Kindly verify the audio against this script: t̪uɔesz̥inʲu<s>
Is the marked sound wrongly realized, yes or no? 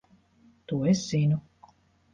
yes